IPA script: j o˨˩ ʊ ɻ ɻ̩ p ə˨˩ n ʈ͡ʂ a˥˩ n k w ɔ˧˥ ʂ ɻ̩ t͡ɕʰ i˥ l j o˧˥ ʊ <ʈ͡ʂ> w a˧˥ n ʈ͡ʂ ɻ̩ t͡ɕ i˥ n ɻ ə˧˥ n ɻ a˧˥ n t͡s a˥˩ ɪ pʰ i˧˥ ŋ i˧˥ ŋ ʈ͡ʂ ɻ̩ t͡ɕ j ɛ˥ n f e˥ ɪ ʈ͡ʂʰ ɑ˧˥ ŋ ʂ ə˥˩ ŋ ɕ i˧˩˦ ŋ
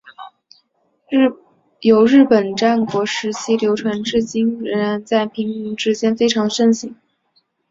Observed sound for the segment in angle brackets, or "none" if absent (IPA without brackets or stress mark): ʈ͡ʂʰ